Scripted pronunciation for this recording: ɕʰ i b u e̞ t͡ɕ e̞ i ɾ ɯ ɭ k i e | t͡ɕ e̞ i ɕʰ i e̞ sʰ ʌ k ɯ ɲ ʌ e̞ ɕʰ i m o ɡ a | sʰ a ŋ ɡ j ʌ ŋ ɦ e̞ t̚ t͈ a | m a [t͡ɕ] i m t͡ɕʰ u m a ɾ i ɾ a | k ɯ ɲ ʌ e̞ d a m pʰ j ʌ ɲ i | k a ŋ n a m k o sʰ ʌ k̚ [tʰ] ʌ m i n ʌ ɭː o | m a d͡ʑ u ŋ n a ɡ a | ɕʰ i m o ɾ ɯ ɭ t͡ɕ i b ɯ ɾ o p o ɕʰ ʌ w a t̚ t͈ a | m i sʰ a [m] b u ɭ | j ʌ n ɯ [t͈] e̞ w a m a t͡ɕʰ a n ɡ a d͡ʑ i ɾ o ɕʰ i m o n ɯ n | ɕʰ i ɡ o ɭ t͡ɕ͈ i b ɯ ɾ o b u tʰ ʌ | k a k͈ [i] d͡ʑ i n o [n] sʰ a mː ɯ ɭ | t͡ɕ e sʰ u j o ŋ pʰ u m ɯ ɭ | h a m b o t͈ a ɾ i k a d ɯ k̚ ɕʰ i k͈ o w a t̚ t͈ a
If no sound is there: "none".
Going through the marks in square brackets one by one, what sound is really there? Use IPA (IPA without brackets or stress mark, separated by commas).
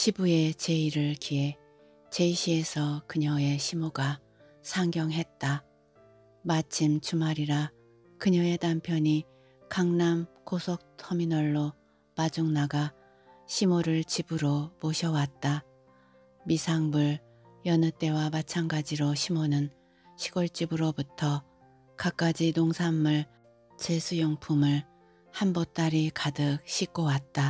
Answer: t͡ɕʰ, tʰ, ŋ, t͈, a, ŋ